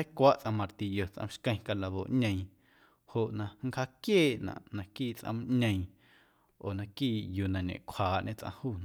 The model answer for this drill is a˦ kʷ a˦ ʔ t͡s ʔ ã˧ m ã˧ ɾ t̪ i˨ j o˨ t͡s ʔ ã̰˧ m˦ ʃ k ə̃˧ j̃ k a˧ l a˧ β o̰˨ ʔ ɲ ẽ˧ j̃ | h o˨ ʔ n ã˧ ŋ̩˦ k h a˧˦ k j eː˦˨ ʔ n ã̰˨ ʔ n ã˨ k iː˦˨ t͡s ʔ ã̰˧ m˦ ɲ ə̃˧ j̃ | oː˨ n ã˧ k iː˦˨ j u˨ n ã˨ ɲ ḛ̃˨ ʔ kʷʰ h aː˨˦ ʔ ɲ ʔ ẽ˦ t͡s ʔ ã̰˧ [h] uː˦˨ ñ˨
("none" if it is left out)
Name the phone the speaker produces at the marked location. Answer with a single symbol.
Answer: h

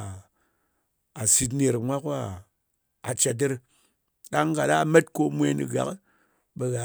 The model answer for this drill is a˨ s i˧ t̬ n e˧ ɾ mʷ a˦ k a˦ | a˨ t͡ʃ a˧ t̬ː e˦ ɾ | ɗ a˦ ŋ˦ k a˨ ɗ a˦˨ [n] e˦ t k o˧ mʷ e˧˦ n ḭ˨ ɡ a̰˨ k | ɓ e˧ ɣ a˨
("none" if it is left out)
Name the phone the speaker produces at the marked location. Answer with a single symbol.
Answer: m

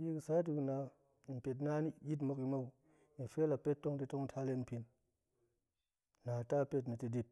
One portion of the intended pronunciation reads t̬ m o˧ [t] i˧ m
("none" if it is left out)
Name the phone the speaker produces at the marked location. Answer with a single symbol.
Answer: k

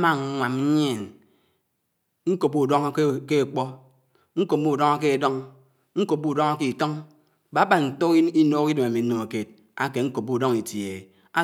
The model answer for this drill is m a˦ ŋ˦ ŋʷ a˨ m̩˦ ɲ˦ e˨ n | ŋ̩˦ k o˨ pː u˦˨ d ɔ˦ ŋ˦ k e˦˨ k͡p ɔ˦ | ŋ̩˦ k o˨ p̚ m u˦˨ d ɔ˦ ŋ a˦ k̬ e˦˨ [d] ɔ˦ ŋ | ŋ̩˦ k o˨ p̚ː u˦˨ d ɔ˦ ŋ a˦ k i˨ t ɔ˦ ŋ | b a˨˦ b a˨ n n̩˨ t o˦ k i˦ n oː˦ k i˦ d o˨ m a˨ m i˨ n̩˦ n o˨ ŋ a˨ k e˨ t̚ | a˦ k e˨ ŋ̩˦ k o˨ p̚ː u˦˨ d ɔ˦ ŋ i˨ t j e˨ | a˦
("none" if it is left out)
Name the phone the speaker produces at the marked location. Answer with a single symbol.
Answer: d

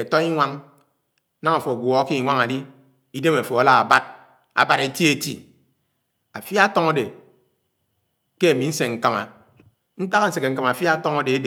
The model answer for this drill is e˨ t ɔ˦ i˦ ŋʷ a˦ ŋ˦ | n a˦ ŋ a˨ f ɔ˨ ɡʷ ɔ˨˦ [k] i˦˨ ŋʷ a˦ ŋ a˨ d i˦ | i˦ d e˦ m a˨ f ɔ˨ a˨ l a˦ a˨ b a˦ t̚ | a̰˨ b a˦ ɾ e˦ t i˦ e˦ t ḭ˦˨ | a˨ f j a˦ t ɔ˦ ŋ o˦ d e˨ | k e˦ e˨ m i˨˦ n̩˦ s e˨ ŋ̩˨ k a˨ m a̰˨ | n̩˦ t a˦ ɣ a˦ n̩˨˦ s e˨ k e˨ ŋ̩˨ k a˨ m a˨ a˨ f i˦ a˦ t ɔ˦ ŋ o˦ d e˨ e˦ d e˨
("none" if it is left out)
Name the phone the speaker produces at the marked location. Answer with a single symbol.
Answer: k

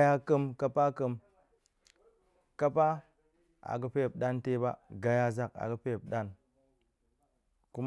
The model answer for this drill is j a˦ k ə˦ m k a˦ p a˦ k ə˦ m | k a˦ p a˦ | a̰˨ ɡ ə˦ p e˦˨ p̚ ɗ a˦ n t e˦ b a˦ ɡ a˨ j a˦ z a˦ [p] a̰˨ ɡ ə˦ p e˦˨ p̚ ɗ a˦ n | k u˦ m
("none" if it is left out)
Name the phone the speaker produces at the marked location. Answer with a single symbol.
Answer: k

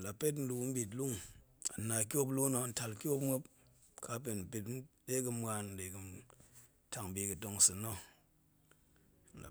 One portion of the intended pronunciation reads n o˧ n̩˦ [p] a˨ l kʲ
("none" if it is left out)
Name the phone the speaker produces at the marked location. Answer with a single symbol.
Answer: t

